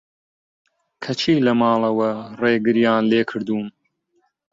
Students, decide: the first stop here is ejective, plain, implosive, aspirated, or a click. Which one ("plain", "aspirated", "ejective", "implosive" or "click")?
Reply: aspirated